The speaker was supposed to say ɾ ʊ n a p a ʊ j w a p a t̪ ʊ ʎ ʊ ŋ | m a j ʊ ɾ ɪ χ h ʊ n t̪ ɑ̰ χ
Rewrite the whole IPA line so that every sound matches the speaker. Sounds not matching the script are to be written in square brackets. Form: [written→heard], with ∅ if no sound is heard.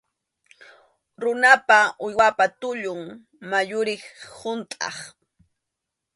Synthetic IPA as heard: ɾ ʊ n a p a ʊ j w a p a t̪ ʊ ʎ ʊ ŋ | m a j ʊ ɾ ɪ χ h ʊ n [t̪→t̪ʼ] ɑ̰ χ